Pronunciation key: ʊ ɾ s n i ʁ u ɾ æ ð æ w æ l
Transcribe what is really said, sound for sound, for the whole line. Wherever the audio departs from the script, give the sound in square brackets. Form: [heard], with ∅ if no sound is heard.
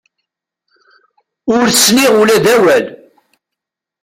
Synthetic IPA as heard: ʊ ɾ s n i ʁ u [l] æ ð æ w æ l